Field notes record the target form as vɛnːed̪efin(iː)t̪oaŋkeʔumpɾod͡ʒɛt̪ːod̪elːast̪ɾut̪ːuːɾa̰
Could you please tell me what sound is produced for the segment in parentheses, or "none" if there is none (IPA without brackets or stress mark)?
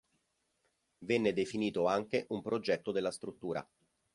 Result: iː